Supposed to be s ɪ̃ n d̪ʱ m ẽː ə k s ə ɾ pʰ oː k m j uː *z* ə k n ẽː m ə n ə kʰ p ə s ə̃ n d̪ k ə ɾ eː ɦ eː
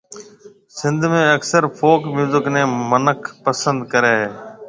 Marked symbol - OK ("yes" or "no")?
yes